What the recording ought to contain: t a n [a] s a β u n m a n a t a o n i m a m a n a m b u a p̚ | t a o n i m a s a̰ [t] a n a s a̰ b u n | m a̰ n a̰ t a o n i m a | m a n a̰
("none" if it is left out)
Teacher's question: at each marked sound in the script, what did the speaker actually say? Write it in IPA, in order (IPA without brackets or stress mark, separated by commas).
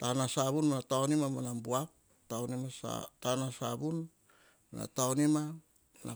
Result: a, t